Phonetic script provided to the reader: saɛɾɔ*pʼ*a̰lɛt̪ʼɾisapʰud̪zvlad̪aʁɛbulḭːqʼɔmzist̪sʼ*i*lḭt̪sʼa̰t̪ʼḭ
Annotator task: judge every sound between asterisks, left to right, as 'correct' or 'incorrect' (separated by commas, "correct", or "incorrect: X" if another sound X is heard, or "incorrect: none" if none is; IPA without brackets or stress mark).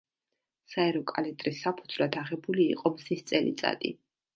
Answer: incorrect: kʼ, incorrect: ɛ